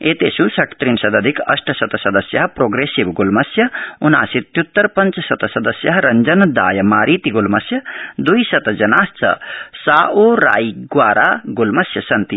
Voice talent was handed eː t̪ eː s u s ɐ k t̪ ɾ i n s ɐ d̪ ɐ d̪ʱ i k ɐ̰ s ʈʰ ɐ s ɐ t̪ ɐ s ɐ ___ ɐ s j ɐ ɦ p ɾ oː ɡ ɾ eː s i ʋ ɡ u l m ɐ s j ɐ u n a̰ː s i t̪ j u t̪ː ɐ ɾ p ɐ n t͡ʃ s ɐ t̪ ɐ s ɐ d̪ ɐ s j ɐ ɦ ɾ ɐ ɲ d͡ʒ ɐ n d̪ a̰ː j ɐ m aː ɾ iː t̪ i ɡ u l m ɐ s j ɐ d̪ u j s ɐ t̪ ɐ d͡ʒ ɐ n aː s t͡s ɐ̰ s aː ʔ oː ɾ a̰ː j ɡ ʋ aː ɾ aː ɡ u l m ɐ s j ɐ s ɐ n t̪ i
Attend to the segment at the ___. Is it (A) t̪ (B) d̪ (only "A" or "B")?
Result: B